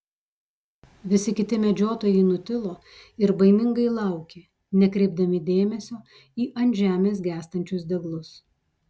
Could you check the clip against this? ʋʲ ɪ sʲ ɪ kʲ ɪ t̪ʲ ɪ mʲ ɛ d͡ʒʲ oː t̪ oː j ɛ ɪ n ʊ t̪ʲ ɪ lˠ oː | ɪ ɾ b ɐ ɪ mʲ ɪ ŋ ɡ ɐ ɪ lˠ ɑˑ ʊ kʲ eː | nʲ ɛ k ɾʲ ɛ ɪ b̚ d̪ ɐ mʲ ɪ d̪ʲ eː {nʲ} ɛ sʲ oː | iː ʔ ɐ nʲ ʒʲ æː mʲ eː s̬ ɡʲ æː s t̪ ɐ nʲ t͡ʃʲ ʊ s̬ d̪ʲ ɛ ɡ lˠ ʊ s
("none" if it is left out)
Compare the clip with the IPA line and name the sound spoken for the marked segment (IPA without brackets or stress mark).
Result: mʲ